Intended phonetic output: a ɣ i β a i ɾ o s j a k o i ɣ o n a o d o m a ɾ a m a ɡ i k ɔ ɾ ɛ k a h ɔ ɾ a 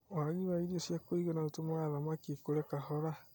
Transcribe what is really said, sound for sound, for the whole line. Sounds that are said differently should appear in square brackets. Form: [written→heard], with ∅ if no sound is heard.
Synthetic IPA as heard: a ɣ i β a i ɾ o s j a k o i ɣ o n a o [d→t] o m a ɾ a m a [ɡ→k] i k [ɔ→o] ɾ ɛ k a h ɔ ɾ a